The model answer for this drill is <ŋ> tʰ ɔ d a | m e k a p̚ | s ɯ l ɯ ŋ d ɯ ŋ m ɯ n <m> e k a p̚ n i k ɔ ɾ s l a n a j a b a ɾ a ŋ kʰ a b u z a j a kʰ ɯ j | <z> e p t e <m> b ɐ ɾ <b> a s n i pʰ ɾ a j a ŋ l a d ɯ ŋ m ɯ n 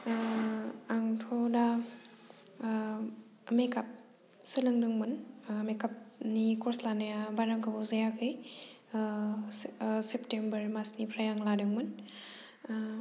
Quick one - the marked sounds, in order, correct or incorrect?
correct, correct, incorrect: s, correct, incorrect: m

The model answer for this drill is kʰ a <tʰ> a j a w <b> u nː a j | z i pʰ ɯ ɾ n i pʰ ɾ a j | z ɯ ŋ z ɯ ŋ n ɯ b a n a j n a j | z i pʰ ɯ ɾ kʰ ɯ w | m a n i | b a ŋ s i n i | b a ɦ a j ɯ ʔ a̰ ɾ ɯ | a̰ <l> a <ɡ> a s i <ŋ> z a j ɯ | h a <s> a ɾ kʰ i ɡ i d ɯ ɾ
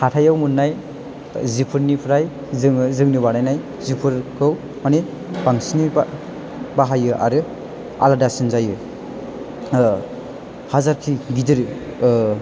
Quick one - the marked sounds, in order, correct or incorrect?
correct, incorrect: m, correct, incorrect: d, incorrect: n, incorrect: z

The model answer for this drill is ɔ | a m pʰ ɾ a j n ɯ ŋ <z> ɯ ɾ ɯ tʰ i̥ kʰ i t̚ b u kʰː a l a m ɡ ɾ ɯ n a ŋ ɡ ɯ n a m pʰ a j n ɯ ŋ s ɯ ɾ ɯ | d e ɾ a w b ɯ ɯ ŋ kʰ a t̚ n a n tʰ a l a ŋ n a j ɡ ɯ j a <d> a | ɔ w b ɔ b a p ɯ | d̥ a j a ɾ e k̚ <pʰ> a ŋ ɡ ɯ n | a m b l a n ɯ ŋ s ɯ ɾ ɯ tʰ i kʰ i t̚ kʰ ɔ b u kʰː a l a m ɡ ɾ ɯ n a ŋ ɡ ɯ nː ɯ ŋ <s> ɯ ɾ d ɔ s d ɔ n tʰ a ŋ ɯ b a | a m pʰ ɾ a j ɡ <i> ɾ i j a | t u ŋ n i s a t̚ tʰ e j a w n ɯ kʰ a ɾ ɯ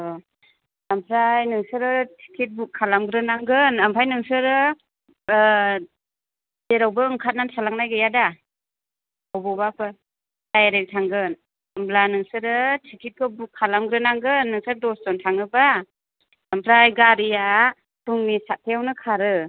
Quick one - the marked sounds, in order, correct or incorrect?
incorrect: s, correct, incorrect: tʰ, correct, incorrect: a

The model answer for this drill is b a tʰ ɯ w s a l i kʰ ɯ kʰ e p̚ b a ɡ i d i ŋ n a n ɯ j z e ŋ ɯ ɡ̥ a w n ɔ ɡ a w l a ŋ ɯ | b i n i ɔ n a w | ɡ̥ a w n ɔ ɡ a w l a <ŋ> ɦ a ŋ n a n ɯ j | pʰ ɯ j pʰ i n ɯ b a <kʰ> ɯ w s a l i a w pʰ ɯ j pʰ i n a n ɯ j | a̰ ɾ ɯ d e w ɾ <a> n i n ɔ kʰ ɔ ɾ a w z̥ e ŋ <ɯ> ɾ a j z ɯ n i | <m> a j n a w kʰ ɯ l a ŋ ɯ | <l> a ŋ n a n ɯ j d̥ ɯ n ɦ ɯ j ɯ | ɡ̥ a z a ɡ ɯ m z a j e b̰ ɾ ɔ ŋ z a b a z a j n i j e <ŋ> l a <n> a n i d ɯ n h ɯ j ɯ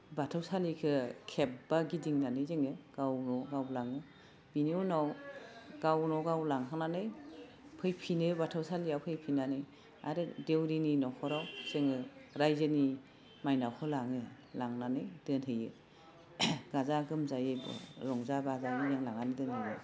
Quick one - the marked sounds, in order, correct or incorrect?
correct, incorrect: tʰ, incorrect: i, correct, correct, correct, correct, incorrect: ŋ

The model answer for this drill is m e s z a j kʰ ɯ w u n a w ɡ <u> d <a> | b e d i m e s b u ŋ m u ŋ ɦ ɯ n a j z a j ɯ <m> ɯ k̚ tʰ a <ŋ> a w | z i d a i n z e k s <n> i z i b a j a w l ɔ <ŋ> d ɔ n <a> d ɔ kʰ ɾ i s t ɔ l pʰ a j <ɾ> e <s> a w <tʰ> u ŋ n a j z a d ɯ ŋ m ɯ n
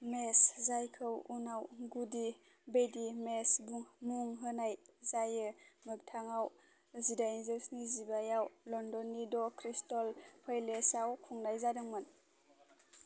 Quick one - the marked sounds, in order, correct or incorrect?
correct, incorrect: i, correct, correct, correct, incorrect: n, incorrect: i, incorrect: l, correct, incorrect: kʰ

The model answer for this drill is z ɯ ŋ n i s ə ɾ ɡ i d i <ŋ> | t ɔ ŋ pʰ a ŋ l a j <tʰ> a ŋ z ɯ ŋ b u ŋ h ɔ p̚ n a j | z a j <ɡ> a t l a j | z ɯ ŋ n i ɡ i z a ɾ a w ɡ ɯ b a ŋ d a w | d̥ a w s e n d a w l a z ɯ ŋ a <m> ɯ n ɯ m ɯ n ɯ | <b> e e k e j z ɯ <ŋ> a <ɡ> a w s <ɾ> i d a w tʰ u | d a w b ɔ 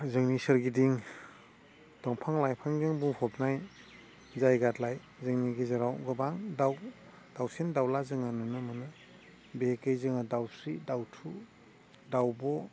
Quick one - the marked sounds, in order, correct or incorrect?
correct, incorrect: pʰ, correct, incorrect: n, correct, correct, incorrect: d, correct

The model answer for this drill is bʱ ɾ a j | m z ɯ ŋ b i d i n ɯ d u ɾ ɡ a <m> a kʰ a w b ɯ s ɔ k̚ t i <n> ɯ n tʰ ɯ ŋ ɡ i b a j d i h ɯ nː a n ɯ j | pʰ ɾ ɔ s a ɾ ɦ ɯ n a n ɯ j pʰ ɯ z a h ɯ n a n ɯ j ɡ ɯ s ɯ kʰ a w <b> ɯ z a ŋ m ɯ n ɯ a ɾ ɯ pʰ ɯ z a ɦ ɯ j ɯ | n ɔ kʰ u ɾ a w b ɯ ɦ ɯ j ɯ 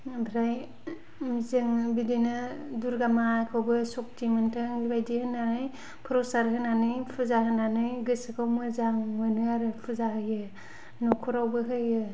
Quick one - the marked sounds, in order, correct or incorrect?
correct, incorrect: m, incorrect: m

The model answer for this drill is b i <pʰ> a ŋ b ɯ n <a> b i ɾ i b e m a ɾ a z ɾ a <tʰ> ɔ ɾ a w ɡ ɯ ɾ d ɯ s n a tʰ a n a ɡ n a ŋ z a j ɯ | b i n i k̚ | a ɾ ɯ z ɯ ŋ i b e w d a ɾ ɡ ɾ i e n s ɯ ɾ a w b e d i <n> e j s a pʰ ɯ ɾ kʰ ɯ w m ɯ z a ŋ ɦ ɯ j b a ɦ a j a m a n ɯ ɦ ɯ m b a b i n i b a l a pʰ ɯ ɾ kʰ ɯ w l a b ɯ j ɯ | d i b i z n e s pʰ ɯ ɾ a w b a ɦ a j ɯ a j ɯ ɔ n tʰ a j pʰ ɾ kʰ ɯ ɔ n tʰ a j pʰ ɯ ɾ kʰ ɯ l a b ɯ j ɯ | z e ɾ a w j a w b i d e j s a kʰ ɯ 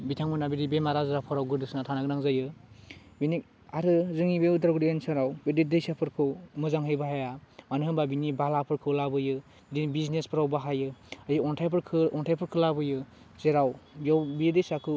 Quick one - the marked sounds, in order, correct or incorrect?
incorrect: tʰ, correct, incorrect: pʰ, incorrect: d

